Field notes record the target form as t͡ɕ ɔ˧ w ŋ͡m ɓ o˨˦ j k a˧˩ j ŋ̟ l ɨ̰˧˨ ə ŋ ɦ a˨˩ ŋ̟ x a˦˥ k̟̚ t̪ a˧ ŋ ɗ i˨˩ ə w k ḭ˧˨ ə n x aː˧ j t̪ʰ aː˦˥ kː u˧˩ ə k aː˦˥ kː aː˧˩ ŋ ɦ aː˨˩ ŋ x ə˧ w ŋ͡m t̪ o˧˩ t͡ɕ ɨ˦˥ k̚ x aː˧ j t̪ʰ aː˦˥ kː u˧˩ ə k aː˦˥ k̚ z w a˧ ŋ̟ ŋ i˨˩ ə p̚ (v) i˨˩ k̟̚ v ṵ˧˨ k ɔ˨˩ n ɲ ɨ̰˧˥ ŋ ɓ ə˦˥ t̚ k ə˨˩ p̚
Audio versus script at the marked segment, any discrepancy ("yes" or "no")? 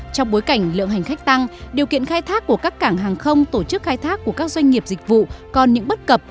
yes